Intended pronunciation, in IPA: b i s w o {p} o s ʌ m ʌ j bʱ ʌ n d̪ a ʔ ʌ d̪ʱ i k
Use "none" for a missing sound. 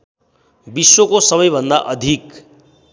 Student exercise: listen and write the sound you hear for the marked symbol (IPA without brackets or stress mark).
k